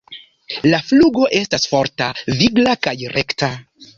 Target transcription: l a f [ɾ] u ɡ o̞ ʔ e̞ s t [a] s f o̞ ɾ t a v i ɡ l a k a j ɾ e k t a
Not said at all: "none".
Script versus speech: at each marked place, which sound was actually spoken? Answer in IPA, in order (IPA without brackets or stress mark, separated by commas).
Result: l, a